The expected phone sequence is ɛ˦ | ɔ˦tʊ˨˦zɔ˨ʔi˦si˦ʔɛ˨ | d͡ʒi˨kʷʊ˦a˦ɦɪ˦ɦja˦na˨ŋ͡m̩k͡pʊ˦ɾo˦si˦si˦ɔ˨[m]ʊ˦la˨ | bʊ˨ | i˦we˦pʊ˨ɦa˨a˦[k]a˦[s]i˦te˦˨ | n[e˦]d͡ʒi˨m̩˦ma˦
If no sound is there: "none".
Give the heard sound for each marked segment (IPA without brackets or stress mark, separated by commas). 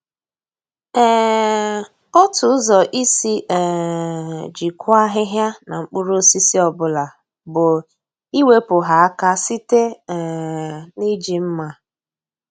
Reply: b, k, s, i˦